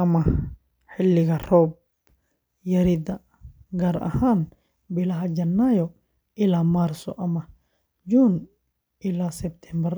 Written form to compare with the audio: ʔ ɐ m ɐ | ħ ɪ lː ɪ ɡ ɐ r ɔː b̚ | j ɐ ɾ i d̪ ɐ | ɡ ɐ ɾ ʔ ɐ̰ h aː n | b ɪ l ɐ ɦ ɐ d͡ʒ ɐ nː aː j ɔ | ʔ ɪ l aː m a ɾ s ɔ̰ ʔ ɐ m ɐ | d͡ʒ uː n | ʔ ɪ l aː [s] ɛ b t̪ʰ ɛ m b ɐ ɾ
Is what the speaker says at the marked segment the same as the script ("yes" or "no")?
yes